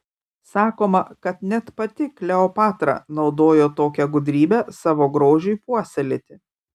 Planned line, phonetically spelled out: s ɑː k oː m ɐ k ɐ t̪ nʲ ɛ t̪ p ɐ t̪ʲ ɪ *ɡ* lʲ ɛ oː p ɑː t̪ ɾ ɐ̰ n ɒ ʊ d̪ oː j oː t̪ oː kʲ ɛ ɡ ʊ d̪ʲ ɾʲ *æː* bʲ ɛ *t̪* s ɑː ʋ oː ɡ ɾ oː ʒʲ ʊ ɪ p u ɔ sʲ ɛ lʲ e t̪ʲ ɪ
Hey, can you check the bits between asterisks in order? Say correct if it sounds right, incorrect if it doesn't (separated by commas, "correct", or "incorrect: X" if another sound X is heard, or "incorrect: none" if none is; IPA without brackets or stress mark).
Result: incorrect: k, incorrect: iː, incorrect: none